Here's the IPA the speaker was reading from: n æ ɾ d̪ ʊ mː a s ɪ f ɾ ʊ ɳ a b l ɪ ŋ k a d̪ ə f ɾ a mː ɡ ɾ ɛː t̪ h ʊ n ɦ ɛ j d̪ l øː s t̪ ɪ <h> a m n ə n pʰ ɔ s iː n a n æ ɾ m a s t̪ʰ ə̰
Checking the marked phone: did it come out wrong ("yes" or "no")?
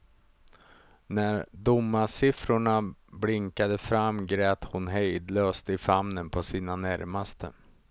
yes